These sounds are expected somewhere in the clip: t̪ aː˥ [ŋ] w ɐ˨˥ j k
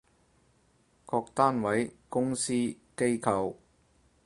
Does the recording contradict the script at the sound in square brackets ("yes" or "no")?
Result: yes